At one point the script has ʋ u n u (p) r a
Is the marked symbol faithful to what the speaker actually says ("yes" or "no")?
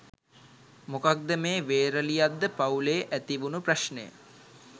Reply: yes